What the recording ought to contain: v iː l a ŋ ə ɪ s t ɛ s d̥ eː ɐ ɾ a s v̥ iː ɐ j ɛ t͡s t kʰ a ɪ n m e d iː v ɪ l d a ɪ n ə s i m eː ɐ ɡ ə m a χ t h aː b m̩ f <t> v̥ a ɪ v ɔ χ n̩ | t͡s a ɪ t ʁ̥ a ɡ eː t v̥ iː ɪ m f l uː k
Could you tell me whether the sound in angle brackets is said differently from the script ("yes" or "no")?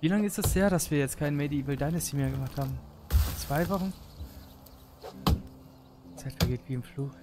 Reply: yes